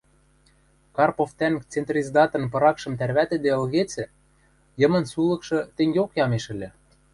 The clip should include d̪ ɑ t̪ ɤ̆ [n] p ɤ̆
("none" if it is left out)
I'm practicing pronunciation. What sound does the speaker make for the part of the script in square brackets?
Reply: n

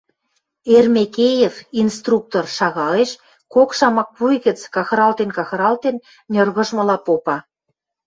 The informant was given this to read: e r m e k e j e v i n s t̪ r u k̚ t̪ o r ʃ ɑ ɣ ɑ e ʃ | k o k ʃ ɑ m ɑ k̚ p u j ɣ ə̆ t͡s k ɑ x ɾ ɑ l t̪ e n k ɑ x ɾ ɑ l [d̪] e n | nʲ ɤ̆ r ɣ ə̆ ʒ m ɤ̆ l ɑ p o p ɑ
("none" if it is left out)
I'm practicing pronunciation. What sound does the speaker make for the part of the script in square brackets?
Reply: t̪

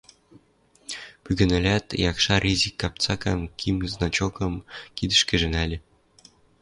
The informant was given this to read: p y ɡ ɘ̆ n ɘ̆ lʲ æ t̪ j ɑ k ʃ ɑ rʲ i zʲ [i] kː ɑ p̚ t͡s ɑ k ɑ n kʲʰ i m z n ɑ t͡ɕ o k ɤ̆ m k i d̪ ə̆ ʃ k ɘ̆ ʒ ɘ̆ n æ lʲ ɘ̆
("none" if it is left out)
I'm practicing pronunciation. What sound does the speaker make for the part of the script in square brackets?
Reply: i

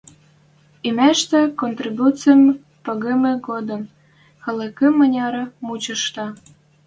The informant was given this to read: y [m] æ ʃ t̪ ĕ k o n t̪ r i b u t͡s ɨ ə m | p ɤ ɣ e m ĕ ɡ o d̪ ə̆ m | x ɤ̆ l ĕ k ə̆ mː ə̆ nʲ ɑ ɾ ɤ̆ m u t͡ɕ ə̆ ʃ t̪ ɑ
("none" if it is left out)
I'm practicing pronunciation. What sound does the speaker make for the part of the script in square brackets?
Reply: m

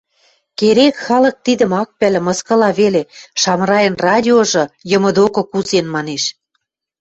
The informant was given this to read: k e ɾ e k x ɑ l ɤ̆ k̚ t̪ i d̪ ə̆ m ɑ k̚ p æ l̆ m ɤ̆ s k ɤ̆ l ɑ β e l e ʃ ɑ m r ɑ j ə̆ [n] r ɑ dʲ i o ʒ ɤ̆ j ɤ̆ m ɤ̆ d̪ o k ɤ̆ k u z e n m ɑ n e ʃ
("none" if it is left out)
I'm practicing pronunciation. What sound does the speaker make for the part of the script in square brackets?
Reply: n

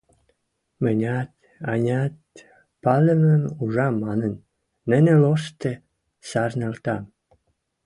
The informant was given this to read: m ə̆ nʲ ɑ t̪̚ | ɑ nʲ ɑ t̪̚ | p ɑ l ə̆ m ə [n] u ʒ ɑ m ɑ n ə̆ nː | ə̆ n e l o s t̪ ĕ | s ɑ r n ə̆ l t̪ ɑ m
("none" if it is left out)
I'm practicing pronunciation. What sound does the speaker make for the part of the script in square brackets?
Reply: m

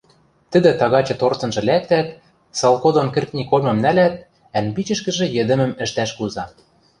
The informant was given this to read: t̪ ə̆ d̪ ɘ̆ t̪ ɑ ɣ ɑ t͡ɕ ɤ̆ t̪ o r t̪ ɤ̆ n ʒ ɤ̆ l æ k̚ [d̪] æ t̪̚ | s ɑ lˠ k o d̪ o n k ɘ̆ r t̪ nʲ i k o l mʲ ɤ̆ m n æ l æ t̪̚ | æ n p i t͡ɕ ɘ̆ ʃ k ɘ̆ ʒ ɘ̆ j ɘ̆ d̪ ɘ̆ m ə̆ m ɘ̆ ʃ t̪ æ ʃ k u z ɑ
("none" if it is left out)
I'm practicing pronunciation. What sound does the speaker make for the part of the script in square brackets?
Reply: t̪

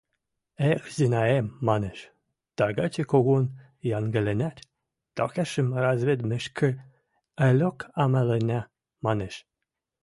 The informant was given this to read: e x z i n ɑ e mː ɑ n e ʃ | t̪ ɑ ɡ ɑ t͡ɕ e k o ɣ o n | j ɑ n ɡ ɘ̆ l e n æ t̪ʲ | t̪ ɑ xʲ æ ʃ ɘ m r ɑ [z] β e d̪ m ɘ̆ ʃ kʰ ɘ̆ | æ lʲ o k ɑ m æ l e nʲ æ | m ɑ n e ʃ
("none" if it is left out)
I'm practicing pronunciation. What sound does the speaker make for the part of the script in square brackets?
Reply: z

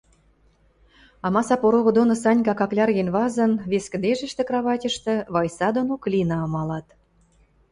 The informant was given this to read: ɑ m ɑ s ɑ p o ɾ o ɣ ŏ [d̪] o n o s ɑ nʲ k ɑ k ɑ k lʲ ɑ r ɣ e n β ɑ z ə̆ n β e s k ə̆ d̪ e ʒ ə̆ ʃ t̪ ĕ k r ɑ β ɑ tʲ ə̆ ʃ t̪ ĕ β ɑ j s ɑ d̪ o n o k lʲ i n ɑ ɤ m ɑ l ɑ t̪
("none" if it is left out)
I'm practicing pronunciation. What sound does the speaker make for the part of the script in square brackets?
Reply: d̪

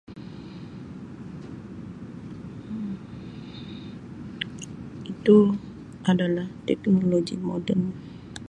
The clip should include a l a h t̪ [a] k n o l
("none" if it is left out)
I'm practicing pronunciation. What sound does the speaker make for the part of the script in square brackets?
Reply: ɛ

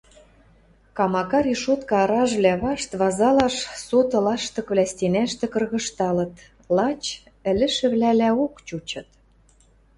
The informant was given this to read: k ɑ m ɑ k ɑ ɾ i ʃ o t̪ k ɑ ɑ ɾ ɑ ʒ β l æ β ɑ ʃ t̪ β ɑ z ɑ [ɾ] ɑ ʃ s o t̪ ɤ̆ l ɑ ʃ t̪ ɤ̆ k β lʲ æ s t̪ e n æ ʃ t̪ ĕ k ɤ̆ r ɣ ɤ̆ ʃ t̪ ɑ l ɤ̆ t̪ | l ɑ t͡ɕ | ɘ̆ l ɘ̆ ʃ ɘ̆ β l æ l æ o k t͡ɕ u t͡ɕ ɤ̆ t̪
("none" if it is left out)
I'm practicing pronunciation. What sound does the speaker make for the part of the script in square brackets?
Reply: l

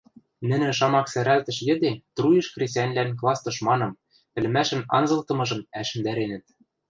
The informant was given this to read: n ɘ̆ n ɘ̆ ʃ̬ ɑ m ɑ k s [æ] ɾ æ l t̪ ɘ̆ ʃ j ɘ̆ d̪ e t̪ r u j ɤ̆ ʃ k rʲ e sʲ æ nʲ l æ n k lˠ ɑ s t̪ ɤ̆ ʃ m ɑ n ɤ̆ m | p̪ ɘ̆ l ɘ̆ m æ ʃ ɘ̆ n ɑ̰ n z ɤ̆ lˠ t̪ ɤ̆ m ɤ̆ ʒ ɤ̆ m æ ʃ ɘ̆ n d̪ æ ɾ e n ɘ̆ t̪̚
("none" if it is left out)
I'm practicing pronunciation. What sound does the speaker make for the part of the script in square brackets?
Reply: æ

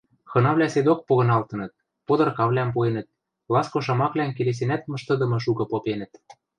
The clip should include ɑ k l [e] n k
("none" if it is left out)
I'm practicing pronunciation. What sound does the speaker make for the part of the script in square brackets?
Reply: æ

